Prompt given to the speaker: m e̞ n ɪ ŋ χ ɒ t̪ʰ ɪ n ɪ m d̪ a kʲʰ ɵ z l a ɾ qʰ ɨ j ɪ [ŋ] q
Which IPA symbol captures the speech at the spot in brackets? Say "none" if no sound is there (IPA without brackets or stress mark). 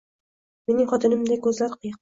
none